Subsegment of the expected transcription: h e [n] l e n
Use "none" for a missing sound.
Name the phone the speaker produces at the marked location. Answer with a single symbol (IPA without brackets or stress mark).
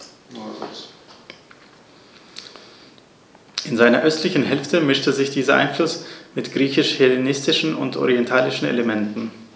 none